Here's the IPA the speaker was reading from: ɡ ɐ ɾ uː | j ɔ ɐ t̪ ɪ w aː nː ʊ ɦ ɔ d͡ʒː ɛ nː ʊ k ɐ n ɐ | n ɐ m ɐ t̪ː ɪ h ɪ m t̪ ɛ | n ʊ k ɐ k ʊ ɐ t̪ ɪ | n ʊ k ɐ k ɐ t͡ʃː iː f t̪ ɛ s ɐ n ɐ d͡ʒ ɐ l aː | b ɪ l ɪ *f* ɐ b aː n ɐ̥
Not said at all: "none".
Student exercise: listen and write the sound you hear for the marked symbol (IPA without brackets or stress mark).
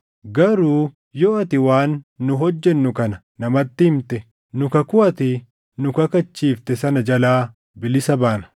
s